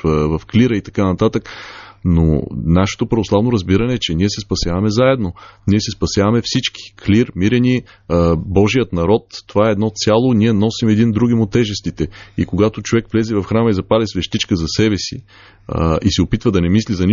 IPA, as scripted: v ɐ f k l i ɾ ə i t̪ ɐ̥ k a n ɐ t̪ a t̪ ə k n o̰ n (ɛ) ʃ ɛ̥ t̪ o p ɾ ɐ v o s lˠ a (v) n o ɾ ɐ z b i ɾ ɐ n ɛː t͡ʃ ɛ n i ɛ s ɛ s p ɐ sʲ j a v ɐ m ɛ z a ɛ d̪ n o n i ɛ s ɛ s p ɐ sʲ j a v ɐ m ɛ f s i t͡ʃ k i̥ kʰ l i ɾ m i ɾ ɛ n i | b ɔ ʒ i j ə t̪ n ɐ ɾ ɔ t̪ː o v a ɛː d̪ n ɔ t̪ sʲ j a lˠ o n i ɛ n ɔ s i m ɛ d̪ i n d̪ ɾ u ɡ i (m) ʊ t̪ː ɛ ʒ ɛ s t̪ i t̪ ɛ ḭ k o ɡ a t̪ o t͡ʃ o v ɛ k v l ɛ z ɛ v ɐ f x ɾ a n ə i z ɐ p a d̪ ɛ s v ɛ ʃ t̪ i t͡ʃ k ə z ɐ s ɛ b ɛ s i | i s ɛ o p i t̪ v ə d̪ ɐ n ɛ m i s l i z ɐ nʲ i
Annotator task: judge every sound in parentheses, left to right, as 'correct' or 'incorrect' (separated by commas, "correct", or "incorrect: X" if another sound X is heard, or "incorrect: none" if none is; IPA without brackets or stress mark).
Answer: incorrect: a, correct, correct